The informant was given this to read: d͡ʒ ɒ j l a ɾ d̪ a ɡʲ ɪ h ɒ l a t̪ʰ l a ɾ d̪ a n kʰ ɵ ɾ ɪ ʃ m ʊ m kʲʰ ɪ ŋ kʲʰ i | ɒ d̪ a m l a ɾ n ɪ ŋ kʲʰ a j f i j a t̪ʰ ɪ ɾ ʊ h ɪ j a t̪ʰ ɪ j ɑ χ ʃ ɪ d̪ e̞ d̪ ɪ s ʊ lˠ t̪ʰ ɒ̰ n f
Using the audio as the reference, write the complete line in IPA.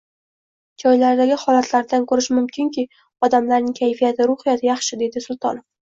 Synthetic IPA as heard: d͡ʒ ɒ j l a ɾ d̪ a ɡʲ ɪ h ɒ l a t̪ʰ l a ɾ d̪ a n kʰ ɵ ɾ ɪ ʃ m ʊ m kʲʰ ɪ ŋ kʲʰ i | ɒ d̪ a m l a ɾ n ɪ ŋ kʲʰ a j f i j a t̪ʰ ɪ ɾ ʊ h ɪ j a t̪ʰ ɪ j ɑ χ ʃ ɪ d̪ e̞ d̪ ɪ s ʊ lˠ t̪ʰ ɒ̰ n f